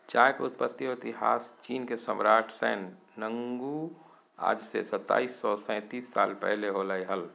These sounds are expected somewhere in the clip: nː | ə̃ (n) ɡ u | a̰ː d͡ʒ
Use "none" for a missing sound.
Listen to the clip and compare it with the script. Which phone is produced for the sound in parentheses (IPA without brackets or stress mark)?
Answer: ŋ